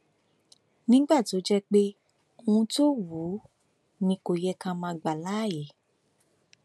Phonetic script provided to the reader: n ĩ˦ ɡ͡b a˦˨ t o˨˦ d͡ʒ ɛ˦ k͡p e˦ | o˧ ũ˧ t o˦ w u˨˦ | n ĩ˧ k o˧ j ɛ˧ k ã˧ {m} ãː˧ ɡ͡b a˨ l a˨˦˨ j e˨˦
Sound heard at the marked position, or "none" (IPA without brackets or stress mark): m